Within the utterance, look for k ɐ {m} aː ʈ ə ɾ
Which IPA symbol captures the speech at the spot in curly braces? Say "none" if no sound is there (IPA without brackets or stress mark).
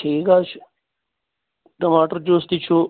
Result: m